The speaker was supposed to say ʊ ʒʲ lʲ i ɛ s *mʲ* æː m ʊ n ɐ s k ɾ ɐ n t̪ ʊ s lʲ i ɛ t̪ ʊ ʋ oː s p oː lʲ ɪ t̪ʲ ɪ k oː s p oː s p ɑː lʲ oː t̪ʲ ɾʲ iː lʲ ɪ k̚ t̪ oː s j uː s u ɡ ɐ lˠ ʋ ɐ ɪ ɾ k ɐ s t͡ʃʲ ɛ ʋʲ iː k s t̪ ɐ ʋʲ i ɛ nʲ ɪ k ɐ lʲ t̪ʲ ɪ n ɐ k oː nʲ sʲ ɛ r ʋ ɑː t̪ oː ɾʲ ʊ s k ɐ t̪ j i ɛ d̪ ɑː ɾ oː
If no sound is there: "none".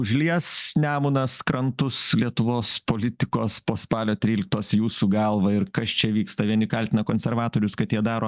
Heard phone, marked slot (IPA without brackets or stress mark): nʲ